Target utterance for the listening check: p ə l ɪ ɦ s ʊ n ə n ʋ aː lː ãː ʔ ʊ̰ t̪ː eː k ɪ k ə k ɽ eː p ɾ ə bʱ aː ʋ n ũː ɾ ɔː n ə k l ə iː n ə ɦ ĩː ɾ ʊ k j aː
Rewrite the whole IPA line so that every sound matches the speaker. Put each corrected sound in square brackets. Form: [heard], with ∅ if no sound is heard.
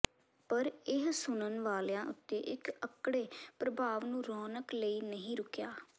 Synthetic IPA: p ə [ɾ] ɪ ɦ s ʊ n ə n ʋ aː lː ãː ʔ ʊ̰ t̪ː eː [ʔ] ɪ k ə k ɽ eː p ɾ ə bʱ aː ʋ n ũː ɾ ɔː n ə k l ə iː n ə ɦ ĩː ɾ ʊ k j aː